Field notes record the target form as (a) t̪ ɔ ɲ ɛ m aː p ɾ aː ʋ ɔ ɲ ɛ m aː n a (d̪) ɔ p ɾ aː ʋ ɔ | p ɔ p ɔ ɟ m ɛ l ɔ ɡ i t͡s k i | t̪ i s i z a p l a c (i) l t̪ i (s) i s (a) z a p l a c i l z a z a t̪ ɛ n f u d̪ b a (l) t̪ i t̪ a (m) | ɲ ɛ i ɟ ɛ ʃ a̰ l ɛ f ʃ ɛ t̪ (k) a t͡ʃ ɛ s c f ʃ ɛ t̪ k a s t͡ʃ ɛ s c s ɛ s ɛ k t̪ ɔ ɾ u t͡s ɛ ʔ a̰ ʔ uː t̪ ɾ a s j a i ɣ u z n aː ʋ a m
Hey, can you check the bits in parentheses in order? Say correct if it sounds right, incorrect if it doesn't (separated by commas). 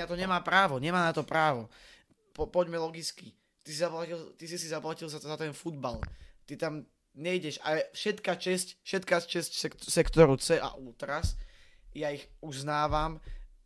correct, incorrect, correct, correct, incorrect, correct, correct, correct